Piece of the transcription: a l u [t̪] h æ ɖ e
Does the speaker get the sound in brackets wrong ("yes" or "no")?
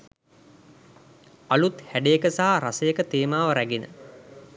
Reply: no